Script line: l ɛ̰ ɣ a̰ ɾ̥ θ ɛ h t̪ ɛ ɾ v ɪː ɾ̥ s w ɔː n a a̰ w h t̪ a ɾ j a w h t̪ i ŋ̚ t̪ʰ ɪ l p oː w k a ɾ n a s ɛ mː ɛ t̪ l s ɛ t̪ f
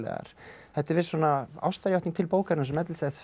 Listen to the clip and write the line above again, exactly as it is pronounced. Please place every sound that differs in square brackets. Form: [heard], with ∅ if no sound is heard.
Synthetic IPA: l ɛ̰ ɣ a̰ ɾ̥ θ ɛ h t̪ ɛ ɾ v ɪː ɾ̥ s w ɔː n a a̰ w [s] t̪ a ɾ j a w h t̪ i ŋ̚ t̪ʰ ɪ l p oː w k a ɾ n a s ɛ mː ɛ t̪ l s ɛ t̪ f